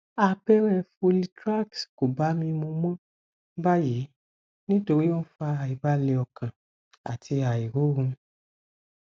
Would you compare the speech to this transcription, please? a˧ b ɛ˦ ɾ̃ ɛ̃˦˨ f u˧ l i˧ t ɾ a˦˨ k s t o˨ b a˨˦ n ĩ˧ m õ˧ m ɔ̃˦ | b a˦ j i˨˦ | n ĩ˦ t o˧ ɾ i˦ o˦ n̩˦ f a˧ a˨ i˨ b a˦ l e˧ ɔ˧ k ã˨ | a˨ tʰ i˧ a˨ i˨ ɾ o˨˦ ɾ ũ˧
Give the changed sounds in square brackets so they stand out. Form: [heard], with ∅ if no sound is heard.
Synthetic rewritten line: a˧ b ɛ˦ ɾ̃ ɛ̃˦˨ f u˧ l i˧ t ɾ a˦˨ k s [k] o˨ b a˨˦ [m] ĩ˧ m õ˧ m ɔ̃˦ | b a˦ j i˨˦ | n ĩ˦ t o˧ ɾ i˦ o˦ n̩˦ f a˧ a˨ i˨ b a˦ l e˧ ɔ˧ k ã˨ | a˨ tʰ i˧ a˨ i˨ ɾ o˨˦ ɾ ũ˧